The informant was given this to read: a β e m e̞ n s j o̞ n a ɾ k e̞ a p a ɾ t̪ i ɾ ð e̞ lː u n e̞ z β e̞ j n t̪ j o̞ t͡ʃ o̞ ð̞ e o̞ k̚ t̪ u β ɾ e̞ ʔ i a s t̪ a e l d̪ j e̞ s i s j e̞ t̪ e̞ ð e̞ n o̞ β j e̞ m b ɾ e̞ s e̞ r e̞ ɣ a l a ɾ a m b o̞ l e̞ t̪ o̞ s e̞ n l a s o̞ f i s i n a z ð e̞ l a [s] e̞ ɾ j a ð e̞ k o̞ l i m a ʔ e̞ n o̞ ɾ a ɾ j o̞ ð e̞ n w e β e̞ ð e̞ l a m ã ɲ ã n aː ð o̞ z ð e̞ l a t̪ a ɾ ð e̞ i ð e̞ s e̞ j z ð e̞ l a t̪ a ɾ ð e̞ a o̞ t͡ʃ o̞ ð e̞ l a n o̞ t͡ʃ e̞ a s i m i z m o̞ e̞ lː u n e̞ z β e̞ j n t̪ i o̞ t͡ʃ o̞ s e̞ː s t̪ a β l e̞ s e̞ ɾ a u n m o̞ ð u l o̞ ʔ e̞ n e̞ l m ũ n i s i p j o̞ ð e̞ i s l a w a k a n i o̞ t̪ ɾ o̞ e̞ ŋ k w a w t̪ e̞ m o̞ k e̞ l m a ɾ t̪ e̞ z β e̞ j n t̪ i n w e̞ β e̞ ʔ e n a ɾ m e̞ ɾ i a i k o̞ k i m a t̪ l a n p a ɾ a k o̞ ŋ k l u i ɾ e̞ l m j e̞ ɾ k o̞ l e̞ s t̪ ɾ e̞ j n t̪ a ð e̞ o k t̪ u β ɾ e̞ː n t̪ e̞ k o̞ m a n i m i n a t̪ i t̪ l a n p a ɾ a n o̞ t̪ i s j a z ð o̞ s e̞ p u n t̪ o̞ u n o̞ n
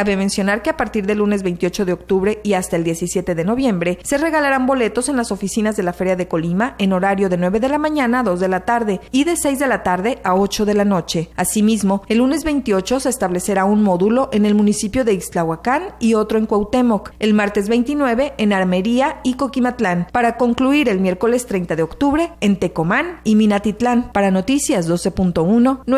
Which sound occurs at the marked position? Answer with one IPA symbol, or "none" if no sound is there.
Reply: f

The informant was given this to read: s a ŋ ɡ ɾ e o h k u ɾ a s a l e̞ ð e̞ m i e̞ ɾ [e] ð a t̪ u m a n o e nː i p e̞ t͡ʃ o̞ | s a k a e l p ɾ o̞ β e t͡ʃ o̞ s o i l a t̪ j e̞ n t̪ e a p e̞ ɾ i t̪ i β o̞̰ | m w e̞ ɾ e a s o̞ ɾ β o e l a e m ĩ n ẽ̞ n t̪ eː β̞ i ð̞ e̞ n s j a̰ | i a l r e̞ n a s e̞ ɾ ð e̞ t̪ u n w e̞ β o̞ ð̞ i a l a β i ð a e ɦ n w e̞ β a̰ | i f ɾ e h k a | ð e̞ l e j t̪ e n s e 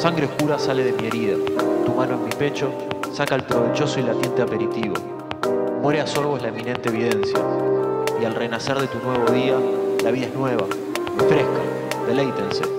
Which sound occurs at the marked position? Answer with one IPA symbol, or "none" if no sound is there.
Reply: i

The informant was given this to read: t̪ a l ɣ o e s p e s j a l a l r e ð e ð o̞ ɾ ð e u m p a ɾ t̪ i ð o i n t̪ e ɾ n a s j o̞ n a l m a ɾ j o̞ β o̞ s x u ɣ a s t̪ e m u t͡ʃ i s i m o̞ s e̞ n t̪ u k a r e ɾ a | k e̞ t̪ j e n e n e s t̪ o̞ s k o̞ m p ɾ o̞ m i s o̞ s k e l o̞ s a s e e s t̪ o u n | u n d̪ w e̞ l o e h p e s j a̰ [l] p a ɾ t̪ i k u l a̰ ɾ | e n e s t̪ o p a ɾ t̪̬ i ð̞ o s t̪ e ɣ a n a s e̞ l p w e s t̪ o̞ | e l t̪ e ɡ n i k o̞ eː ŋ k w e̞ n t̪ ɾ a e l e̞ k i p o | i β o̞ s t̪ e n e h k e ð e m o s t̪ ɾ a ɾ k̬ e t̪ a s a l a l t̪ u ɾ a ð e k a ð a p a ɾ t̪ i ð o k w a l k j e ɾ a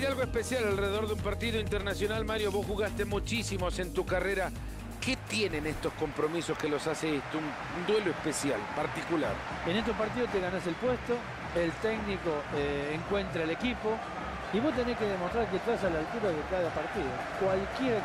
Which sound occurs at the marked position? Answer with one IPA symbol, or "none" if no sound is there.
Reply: l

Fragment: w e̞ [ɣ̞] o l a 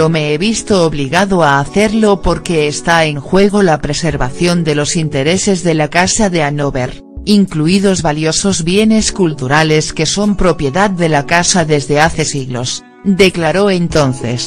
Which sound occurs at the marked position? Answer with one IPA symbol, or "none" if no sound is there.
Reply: ɣ̞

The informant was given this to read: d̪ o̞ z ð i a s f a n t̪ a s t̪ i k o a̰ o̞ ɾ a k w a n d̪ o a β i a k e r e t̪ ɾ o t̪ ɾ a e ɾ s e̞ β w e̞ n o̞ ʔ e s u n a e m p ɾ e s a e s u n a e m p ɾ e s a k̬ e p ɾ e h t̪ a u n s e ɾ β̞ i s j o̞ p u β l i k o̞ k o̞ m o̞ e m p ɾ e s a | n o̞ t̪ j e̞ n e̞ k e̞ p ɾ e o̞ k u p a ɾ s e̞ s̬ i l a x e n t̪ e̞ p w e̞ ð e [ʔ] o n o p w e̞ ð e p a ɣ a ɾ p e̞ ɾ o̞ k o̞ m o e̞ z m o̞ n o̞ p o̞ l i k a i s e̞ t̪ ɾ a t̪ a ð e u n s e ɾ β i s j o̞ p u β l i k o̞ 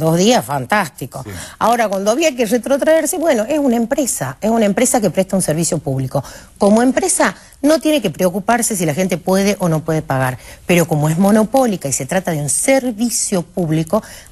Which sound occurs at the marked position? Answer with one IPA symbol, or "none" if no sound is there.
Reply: ʔ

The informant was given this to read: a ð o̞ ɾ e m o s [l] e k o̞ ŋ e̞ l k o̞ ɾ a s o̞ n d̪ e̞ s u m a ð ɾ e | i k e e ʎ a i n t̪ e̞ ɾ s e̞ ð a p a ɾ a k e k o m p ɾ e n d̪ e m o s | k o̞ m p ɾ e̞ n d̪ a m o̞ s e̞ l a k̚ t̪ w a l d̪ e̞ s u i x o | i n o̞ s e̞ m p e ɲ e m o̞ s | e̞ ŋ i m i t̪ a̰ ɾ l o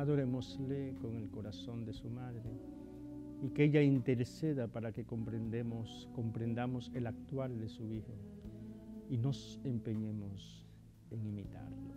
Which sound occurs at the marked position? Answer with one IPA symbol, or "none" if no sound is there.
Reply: l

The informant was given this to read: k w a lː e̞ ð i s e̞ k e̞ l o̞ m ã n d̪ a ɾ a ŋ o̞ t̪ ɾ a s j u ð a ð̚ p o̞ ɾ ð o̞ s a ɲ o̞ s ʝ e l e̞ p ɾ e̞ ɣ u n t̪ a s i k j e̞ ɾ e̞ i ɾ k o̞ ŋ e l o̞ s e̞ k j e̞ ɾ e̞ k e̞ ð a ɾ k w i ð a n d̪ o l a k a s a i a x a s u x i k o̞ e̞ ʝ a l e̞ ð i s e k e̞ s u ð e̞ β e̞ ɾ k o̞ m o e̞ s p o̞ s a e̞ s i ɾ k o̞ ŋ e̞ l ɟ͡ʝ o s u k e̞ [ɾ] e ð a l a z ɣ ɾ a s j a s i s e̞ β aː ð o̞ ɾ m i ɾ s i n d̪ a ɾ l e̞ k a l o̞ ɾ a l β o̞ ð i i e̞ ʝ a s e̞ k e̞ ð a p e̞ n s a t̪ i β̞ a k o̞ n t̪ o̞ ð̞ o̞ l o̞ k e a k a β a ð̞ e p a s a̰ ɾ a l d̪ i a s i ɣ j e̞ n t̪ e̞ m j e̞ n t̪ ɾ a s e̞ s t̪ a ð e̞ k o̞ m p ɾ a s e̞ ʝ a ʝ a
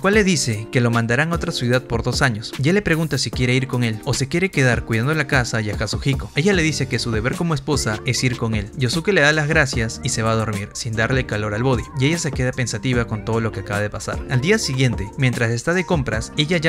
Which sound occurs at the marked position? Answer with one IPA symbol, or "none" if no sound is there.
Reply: l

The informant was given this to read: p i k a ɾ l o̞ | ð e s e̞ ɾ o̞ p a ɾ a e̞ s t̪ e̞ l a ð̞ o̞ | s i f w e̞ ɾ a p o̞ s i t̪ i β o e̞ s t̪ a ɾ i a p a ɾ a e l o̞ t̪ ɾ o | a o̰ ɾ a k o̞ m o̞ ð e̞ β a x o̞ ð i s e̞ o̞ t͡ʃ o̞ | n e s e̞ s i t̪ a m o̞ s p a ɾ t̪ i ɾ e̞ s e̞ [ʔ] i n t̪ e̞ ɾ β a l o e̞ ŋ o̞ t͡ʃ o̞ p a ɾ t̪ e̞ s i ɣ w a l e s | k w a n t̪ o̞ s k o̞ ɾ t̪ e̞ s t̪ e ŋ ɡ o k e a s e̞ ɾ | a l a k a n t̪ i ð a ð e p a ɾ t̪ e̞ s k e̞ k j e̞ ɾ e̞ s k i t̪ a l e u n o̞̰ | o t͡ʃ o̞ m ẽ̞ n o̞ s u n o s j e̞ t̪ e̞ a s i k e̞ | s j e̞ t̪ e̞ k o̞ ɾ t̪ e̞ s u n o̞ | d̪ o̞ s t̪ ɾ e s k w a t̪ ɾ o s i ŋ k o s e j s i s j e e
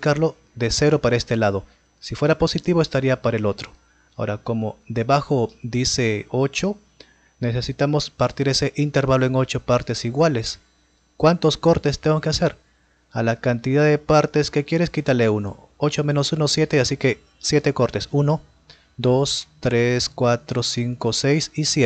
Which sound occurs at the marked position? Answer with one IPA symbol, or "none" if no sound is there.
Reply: ʔ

